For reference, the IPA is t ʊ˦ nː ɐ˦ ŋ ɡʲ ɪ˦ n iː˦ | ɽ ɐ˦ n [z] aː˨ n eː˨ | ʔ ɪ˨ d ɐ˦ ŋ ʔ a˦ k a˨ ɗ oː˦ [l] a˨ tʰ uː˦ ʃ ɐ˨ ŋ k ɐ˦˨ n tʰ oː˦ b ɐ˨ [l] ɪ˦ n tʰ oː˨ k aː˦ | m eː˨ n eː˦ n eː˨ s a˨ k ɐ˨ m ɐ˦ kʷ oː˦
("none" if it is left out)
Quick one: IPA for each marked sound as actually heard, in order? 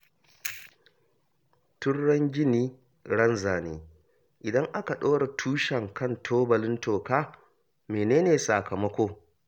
z, ɽ, l

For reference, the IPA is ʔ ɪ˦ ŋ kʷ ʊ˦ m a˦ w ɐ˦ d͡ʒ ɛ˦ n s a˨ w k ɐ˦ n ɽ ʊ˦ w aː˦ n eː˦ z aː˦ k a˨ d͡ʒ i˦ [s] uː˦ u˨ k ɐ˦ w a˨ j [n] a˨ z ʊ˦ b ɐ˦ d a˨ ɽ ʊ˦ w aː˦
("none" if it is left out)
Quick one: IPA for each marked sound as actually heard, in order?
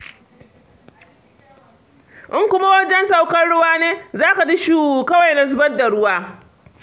ʃ, n

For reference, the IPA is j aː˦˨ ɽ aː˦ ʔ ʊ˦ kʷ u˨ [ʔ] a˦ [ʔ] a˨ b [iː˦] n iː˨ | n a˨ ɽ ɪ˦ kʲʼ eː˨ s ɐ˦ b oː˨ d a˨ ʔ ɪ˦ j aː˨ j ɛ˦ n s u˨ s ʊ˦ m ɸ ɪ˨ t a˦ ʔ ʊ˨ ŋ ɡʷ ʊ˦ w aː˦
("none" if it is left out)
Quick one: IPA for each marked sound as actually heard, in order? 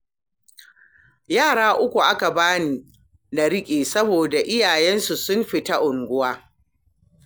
ʔ, k, aː˦

